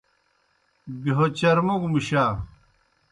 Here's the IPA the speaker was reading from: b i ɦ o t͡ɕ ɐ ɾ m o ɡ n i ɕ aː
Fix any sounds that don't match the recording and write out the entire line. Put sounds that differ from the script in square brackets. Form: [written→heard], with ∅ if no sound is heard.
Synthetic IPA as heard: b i ɦ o t͡ɕ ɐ ɾ m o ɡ [n→m] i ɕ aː